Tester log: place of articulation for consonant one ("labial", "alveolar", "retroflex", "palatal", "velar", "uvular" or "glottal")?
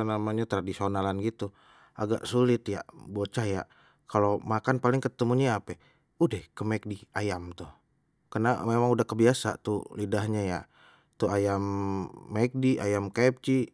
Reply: alveolar